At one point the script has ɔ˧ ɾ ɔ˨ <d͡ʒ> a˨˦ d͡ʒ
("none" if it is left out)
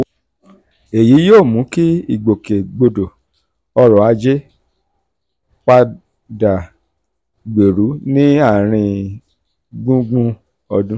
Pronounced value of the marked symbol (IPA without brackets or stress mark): none